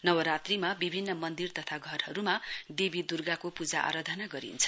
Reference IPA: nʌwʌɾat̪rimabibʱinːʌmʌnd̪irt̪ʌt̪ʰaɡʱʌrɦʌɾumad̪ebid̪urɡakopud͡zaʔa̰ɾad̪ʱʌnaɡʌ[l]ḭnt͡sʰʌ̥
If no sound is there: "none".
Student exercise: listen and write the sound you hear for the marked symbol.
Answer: ɾ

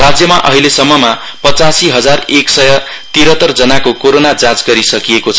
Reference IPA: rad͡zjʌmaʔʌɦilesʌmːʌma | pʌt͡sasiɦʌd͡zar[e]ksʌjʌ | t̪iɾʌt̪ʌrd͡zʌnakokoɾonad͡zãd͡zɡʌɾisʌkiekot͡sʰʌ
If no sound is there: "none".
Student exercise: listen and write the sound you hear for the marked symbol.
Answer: e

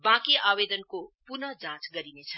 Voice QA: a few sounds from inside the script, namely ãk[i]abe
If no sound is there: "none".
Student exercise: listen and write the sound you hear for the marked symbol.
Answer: i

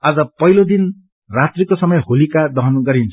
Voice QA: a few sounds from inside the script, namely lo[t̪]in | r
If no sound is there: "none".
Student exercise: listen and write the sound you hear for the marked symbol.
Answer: d̪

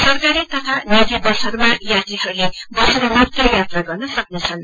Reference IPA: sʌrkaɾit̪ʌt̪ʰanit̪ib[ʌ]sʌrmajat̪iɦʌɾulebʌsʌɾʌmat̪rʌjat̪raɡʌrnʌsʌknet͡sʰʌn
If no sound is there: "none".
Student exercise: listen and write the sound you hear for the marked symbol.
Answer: ʌ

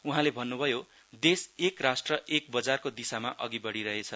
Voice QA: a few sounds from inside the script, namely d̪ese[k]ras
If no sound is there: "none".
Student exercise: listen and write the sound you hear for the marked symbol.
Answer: k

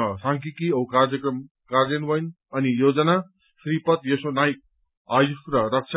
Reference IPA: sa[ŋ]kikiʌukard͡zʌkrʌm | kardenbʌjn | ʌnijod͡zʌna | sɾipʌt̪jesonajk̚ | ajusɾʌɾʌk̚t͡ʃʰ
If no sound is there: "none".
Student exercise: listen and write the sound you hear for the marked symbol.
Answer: ŋ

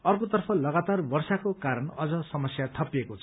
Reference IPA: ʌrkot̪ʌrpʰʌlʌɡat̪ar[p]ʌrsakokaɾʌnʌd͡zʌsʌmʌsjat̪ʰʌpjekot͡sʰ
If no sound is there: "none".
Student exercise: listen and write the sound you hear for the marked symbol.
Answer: b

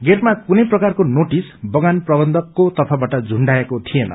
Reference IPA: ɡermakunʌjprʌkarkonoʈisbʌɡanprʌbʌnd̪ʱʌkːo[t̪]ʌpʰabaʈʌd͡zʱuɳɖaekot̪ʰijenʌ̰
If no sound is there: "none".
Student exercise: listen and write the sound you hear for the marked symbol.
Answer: t̪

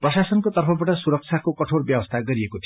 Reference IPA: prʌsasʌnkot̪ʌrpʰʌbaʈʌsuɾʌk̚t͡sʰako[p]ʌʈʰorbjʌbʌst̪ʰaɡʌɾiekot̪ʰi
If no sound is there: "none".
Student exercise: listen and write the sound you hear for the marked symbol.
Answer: k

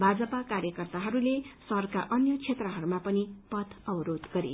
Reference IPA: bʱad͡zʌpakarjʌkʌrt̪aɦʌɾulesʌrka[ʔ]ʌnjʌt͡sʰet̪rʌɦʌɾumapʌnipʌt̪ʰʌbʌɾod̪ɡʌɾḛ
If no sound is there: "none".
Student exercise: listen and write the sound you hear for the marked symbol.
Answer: ʔ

